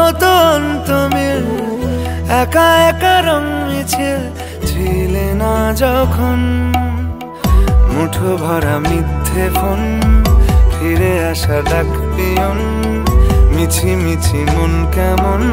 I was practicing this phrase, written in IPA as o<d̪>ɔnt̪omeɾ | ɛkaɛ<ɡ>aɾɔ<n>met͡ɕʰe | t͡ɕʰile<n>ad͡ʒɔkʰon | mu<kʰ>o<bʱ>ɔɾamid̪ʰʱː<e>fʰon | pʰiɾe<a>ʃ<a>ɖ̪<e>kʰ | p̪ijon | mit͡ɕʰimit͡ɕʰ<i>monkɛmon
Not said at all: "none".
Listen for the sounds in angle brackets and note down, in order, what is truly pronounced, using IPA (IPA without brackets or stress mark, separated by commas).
t̪, k, ŋ, n, ʈʰ, bʱ, e, a, a, a, i